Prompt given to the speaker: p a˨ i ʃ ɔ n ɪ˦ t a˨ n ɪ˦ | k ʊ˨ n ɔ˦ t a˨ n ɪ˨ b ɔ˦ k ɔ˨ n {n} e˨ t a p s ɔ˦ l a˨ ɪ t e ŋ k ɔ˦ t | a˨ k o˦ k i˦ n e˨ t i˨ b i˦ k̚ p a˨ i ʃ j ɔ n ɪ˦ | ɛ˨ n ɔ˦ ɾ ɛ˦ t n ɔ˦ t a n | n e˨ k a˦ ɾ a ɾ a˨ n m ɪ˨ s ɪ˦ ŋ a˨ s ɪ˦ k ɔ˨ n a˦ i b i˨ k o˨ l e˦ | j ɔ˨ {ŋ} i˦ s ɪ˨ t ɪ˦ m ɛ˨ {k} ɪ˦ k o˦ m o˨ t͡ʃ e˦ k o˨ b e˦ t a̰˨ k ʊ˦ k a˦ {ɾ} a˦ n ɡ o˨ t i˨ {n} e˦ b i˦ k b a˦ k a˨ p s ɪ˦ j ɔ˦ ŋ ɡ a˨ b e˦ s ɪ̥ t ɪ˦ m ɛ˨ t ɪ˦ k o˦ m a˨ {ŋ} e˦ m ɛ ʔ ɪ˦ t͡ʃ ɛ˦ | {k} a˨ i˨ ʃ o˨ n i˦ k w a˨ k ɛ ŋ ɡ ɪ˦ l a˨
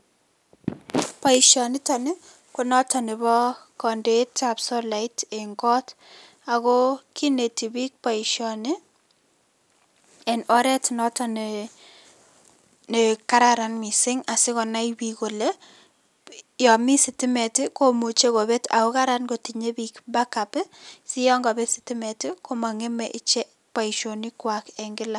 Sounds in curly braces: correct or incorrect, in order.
incorrect: d, incorrect: m, incorrect: t, correct, incorrect: ɲ, correct, incorrect: p

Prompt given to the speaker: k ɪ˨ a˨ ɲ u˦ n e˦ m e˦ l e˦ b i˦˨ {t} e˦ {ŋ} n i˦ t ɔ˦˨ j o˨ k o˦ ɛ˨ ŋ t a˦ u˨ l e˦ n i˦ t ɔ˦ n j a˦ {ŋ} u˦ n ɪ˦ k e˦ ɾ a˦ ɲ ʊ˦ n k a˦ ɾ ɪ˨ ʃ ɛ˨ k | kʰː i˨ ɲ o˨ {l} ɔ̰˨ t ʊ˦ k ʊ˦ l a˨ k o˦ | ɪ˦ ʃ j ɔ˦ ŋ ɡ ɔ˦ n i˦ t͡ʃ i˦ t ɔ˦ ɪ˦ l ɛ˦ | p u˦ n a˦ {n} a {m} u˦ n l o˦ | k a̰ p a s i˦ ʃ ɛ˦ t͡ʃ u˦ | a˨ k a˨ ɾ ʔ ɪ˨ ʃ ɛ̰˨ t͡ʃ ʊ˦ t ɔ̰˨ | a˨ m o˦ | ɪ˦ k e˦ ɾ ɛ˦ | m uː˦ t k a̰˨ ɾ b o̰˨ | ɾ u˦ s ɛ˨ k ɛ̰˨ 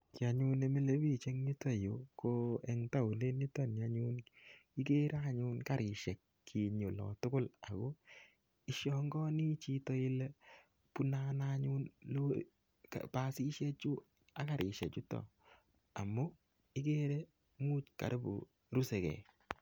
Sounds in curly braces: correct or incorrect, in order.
incorrect: t͡ʃ, correct, incorrect: ɲ, correct, correct, incorrect: ɲ

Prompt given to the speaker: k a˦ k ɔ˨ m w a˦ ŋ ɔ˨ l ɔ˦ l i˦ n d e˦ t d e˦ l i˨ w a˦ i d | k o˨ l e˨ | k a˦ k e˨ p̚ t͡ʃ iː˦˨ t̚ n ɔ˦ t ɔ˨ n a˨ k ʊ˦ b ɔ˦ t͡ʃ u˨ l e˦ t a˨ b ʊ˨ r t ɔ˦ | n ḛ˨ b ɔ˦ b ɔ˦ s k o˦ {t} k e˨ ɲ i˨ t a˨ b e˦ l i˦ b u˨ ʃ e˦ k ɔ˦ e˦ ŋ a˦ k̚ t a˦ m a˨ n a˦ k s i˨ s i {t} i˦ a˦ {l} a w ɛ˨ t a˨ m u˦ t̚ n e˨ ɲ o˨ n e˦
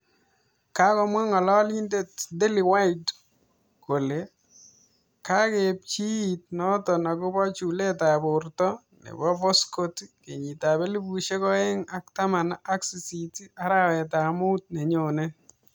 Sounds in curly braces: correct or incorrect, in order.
correct, correct, incorrect: ɾ

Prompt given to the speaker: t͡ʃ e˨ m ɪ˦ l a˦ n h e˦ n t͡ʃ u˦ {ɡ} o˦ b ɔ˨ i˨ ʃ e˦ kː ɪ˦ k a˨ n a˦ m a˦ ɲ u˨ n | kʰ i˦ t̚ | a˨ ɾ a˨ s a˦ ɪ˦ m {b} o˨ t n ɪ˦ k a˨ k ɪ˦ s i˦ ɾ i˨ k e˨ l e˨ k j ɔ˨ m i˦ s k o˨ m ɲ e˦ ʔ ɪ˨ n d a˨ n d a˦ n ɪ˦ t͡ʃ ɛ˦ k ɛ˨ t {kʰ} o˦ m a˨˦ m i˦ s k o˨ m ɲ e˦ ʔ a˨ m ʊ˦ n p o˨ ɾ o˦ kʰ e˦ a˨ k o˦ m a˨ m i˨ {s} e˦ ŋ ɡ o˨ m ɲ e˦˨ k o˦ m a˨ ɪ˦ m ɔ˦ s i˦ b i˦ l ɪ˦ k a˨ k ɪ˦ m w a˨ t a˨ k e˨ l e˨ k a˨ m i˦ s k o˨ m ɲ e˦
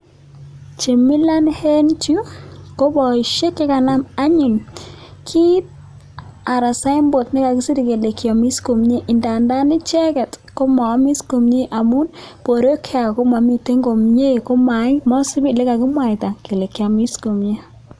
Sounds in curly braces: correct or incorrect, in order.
incorrect: k, correct, incorrect: k, incorrect: t

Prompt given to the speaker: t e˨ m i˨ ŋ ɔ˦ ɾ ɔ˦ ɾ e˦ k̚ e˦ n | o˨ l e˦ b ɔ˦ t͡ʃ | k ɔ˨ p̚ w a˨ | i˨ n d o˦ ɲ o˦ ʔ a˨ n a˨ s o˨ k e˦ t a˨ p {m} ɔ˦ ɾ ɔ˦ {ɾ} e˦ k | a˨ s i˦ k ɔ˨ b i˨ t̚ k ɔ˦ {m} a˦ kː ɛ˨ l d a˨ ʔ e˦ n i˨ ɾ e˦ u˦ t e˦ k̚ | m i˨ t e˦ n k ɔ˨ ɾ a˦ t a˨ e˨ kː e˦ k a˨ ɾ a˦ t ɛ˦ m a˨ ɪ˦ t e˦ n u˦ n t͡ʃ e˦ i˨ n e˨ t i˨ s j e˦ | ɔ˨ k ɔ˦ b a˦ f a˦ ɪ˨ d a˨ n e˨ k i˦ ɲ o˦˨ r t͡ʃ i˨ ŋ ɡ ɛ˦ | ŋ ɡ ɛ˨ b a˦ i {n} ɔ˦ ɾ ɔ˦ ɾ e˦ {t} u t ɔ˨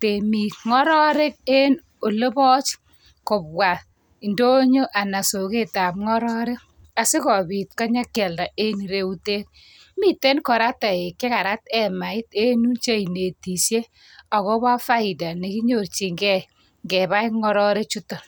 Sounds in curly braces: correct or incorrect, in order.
incorrect: ŋ, correct, incorrect: ɲ, incorrect: ŋ, incorrect: t͡ʃ

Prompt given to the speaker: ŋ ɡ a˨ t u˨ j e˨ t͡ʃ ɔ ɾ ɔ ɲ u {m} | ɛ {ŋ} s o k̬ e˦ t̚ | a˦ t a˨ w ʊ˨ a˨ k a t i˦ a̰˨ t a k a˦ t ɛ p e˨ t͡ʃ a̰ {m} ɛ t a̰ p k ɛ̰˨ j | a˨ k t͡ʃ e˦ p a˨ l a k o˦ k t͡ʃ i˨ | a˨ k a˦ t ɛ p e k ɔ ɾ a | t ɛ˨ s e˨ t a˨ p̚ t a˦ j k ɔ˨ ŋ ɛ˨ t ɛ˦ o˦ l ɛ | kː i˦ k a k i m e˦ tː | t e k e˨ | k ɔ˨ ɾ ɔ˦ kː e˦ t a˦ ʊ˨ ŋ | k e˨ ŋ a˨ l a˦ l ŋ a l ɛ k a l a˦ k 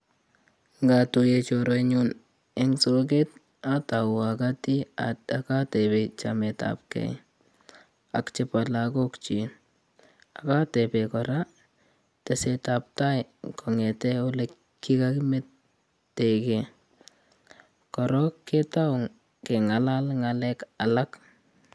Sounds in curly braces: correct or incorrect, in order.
incorrect: n, correct, correct

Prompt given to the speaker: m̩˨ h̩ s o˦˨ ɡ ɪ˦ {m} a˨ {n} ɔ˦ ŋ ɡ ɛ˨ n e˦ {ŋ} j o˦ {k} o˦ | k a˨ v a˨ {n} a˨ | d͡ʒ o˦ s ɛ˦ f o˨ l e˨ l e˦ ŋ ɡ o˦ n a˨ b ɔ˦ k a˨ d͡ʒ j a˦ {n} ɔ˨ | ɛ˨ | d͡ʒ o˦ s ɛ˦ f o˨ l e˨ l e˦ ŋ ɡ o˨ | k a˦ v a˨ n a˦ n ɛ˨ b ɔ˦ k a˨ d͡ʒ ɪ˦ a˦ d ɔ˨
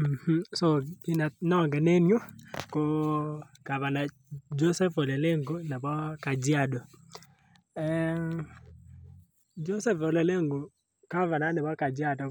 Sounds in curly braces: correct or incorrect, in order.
incorrect: n, correct, incorrect: n, correct, correct, incorrect: d

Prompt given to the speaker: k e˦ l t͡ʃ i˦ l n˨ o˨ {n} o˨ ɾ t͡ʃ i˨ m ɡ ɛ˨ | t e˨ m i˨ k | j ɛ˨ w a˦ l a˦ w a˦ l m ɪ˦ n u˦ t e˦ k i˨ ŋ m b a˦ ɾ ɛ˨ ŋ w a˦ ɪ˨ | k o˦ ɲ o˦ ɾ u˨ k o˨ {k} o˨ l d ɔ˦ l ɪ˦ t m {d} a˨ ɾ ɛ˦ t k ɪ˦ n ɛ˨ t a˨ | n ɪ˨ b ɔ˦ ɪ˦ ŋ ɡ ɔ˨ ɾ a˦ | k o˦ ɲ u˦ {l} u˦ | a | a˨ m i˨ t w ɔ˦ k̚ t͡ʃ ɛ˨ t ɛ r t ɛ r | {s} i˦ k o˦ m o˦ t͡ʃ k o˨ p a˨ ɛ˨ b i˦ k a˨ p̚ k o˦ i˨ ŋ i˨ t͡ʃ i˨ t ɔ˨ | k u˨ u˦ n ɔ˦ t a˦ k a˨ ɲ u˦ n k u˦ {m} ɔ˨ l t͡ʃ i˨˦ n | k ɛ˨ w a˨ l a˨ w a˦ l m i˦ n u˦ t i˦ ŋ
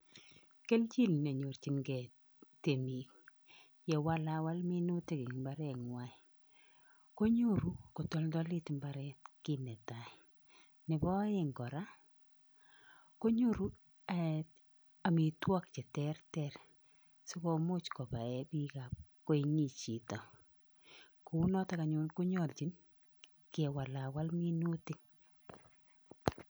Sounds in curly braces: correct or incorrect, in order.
incorrect: ɲ, incorrect: t, incorrect: b, incorrect: ɾ, correct, incorrect: ɲ

